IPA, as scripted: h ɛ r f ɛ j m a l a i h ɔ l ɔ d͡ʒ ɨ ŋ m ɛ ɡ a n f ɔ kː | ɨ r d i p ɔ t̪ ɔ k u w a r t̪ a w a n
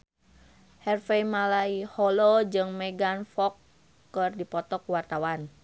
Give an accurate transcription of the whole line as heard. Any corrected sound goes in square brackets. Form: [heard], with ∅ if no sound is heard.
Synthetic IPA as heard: h ɛ r f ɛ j m a l a i h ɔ l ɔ d͡ʒ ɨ ŋ m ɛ ɡ a n f ɔ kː | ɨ r d i p ɔ t̪ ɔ k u w a r t̪ a w a n